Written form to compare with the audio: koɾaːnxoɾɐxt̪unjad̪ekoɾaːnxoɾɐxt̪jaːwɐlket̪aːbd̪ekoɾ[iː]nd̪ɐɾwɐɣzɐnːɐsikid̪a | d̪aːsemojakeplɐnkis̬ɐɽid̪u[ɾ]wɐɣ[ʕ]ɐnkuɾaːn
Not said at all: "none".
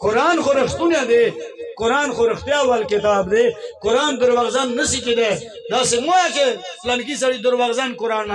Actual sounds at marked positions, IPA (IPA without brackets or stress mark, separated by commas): aː, ɾ, z